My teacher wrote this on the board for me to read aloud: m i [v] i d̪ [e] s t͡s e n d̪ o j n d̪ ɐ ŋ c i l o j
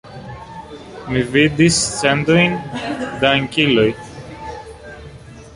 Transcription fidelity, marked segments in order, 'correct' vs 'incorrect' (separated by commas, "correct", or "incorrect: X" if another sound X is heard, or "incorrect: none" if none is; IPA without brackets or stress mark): correct, incorrect: i